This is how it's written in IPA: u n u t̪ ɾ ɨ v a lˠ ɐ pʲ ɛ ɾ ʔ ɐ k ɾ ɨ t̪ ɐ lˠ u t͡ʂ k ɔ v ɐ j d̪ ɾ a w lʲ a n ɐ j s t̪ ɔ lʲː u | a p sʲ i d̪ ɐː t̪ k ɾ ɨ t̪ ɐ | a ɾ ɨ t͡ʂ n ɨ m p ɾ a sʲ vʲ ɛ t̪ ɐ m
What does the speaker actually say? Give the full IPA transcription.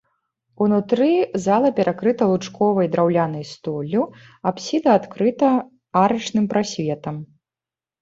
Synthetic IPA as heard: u n u t̪ ɾ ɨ z a lˠ ɐ pʲ ɛ ɾ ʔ a k ɾ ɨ t̪ ɐ lˠ u t͡ʂ k ɔ v ɐ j d̪ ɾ a w lʲ a n ɐ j s t̪ ɔ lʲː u | a p sʲ i d̪ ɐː t̪ k ɾ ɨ t̪ ɐ | a ɾ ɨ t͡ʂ n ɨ m p ɾ a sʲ vʲ ɛ t̪ ɐ m